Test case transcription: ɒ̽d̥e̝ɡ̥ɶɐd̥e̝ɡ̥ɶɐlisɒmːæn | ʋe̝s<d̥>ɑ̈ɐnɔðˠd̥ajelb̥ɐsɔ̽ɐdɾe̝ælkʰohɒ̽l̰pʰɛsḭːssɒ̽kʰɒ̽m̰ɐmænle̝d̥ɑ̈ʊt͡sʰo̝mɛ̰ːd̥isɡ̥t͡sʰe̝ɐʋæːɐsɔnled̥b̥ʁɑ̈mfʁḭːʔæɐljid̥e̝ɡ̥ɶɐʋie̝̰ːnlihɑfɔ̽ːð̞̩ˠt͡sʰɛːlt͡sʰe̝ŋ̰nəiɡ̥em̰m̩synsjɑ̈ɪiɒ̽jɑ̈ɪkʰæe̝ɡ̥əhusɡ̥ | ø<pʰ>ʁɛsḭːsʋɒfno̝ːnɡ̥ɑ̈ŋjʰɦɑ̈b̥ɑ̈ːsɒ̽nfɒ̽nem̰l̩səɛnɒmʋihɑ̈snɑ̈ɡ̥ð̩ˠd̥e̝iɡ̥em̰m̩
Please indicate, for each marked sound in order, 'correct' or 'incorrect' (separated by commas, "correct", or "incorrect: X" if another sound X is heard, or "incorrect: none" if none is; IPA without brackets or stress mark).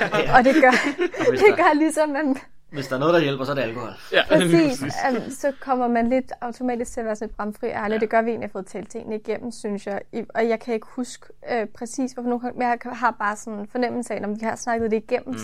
correct, correct